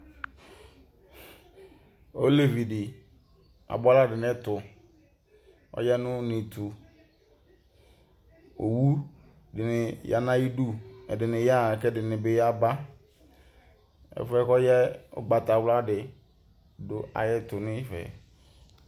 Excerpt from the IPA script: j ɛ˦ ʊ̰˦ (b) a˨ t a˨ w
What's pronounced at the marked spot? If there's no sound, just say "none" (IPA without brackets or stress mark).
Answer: ɡ͡b